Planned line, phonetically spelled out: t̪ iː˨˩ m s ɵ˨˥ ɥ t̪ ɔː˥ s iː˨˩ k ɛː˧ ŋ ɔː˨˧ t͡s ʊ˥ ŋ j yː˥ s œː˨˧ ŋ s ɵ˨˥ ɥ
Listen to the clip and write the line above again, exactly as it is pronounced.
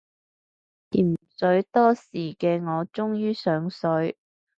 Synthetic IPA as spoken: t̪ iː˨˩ m s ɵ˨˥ ɥ t̪ ɔː˥ s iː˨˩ k ɛː˧ ŋ ɔː˨˧ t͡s ʊ˥ ŋ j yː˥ s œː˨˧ ŋ s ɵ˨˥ ɥ